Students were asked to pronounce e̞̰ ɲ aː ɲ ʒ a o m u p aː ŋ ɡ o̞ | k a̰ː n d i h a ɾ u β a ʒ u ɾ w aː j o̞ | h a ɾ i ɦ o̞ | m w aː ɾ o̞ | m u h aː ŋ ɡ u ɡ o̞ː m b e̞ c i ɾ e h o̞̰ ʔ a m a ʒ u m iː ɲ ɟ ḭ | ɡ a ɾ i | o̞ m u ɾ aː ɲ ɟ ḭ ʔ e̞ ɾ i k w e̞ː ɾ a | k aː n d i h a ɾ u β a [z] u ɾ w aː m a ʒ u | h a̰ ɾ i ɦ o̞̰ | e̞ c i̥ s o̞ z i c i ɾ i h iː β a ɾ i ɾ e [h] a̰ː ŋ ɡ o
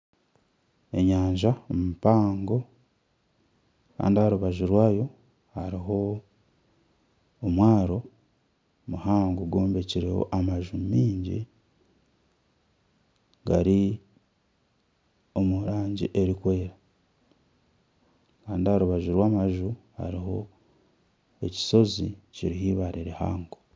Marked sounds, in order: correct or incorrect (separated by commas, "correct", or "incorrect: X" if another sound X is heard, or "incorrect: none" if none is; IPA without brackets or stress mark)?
incorrect: ʒ, correct